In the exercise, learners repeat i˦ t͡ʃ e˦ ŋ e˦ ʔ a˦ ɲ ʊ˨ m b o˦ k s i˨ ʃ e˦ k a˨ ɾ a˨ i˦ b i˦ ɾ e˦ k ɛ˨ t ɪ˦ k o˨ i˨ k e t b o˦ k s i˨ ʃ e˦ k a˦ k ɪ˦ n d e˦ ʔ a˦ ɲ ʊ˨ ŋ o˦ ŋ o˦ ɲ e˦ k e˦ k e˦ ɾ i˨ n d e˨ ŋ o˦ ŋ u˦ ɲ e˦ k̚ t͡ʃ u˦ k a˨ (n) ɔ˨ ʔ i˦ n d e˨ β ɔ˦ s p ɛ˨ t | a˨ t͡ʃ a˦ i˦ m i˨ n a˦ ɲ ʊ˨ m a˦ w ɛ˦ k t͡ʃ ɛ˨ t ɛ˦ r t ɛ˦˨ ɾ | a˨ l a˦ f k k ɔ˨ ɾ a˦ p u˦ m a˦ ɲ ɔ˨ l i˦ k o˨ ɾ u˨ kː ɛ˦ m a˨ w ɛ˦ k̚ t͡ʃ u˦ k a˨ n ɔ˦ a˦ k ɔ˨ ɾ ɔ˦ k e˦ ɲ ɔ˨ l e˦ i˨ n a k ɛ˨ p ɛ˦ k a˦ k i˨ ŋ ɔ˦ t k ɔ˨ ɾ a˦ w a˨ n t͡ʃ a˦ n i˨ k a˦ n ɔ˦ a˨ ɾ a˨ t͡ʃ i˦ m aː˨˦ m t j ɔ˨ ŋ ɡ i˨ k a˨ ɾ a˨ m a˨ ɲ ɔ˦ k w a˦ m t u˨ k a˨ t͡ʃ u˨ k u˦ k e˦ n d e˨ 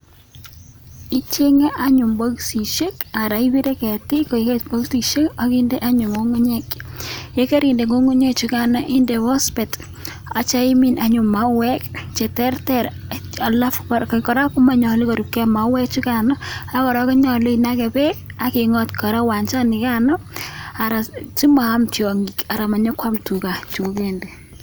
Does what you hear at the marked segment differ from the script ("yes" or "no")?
no